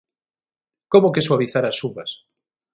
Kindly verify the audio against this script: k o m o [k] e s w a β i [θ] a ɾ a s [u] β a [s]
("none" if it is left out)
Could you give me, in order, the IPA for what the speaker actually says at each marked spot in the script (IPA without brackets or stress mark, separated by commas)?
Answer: k, θ, u, s